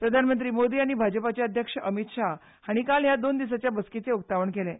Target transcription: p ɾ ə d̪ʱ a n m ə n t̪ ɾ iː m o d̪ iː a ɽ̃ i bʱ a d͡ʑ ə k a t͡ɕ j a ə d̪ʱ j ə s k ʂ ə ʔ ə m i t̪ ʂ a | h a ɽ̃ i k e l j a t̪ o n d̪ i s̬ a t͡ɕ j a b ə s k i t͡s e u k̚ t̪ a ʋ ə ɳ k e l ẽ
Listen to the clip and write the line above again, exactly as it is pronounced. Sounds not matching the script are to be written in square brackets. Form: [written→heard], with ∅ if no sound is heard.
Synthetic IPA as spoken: p ɾ ə d̪ʱ a n m ə n t̪ ɾ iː m o d̪ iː a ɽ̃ i bʱ a d͡ʑ ə [k→p] a t͡ɕ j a ə d̪ʱ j ə [s→∅] k ʂ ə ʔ ə m i t̪ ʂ a | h a ɽ̃ i k [e→a] l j a [t̪→d̪] o n d̪ i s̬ a t͡ɕ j a b ə s k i t͡s e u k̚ t̪ a ʋ ə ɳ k e l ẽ